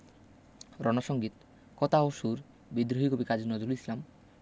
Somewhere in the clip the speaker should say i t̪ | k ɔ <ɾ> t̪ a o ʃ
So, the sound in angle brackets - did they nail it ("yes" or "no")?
no